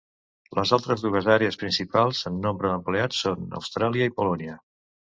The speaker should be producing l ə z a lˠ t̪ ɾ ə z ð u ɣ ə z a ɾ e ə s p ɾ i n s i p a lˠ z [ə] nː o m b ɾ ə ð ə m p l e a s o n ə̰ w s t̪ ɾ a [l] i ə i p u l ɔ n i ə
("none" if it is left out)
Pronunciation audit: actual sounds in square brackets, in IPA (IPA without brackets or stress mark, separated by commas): ə, l